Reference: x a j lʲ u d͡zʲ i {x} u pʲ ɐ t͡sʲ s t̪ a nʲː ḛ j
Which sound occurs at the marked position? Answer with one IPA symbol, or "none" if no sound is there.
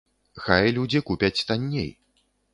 k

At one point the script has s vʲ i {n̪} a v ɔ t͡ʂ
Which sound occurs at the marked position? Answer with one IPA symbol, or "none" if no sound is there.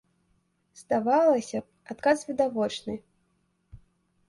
d̪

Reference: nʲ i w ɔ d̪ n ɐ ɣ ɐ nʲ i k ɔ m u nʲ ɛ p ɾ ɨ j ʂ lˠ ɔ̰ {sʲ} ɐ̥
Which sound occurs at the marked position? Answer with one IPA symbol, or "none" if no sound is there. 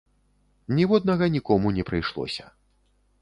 sʲ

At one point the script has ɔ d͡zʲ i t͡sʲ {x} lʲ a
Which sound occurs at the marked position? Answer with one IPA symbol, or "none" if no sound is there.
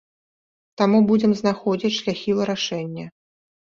ʂ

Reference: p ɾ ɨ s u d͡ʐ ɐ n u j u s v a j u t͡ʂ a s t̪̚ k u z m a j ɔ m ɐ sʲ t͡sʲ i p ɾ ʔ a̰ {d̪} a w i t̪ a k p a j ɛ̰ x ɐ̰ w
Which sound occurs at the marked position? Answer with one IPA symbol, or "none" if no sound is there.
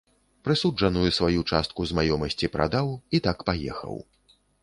d̪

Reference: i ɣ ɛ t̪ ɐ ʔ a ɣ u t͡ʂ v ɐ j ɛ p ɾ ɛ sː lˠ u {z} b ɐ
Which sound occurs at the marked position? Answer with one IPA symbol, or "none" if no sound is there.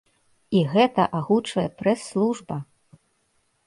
ʐ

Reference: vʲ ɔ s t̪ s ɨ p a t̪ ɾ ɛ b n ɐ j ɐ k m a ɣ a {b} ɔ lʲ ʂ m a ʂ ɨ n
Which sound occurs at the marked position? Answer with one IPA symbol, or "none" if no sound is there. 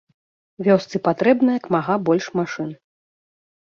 b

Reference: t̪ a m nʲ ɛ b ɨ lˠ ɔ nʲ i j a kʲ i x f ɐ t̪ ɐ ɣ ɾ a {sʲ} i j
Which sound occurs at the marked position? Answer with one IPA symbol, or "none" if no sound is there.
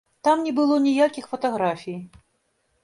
fʲ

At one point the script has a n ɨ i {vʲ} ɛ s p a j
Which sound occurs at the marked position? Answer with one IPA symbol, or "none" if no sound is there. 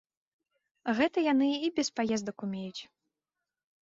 bʲ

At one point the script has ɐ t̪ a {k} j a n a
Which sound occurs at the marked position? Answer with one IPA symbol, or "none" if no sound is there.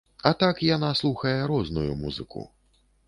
k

